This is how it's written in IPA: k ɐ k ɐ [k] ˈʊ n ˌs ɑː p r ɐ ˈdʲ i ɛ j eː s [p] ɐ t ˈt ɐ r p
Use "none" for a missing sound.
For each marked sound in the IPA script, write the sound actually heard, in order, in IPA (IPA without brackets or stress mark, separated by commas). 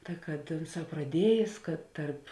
t, k